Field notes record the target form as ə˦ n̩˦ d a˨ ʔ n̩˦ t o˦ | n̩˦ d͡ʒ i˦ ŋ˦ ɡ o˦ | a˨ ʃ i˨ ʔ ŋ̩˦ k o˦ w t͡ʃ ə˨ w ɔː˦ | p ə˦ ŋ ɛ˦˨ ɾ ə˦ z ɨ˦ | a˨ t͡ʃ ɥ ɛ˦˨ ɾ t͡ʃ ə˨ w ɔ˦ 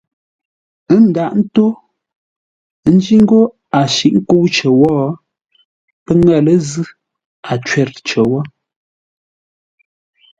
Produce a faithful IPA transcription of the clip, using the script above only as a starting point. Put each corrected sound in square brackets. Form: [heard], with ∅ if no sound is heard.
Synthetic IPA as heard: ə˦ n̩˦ d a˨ ʔ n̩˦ t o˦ | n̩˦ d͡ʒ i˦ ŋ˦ ɡ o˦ | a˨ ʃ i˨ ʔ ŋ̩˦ k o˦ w t͡ʃ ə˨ w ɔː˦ | p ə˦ ŋ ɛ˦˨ [l] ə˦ z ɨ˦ | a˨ t͡ʃ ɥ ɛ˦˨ ɾ t͡ʃ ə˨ w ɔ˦

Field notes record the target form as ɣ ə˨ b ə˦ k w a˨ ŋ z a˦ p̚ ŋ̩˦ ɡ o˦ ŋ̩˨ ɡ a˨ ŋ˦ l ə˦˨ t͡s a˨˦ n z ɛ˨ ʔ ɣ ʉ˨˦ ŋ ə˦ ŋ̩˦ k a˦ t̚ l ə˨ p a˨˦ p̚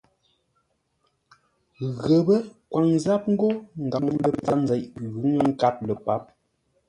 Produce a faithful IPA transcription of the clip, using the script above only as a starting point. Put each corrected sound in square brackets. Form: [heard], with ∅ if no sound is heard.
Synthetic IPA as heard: ɣ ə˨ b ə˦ k w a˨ ŋ z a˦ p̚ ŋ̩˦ ɡ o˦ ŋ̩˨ ɡ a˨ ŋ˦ l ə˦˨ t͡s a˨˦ n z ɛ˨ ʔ ɣ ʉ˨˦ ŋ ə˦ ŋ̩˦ k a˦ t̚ l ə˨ p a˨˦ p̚

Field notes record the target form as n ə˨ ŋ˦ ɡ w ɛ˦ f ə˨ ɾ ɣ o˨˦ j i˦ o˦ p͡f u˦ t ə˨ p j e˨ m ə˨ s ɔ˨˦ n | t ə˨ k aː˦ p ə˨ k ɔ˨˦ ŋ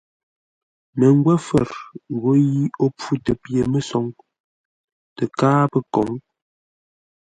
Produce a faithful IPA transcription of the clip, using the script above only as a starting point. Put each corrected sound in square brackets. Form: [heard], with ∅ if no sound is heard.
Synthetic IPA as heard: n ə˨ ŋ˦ ɡ w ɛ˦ f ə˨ ɾ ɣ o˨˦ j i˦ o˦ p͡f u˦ t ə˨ p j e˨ m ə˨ s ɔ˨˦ [ŋ] | t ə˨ k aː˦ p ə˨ k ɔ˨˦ ŋ

